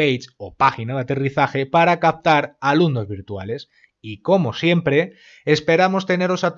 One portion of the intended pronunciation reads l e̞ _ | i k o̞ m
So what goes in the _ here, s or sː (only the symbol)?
s